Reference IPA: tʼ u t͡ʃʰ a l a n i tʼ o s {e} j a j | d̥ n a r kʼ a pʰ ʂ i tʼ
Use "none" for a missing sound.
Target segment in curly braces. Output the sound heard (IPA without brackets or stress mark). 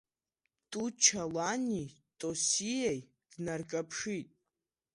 i